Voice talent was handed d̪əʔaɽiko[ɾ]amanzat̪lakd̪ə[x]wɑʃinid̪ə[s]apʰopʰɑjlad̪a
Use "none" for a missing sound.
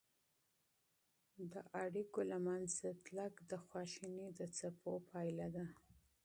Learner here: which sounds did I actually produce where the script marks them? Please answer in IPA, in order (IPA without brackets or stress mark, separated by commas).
l, x, t͡s